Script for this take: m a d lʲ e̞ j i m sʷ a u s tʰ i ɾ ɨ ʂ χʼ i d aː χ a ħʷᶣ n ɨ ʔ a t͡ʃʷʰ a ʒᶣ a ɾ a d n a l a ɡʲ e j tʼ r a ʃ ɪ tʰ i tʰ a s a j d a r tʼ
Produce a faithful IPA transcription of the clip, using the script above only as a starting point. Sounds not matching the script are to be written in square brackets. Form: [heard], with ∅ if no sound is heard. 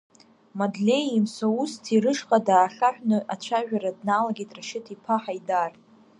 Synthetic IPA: m a d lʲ e̞ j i m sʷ a u s tʰ i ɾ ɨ ʂ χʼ [a] d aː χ a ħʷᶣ n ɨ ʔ a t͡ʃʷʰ a ʒᶣ a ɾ a d n a l a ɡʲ e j tʼ r a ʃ ɪ tʰ i [pʰ] a [ħ] a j d a r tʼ